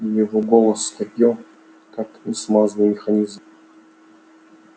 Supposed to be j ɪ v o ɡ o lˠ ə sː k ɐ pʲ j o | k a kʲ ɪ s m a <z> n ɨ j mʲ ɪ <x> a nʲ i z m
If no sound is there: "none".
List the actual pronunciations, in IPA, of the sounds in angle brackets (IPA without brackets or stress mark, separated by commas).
z, x